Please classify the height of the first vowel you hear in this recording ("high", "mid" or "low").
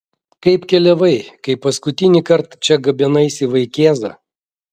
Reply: low